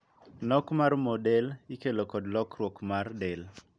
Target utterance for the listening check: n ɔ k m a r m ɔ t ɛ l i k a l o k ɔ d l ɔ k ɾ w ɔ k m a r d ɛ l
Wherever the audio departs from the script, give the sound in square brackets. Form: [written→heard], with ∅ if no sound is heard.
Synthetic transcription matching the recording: n ɔ k m a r m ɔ [t→d] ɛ l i k [a→e] l o k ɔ d l ɔ k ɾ w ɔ k m a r d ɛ l